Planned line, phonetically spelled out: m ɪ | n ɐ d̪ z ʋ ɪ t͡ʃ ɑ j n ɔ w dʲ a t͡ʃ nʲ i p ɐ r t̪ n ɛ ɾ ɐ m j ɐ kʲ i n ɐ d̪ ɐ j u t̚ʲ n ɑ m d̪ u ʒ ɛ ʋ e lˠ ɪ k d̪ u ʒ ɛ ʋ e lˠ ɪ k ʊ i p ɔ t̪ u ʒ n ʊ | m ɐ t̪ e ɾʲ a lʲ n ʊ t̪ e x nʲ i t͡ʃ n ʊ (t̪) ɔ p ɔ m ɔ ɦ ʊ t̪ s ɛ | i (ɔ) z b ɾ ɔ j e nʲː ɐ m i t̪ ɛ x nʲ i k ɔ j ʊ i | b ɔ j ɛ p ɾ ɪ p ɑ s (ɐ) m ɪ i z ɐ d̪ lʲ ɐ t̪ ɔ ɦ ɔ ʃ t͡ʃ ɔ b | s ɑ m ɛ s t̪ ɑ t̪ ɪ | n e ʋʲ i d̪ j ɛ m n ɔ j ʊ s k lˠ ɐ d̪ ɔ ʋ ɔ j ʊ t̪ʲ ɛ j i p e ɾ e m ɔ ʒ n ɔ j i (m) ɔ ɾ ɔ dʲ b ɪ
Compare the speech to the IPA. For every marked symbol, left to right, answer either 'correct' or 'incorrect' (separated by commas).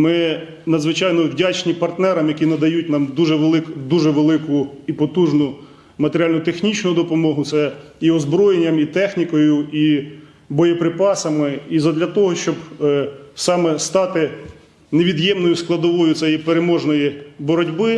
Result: incorrect, correct, correct, incorrect